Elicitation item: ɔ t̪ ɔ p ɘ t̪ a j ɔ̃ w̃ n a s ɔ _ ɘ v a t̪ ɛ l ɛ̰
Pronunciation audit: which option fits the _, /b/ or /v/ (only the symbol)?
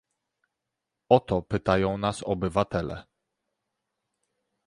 b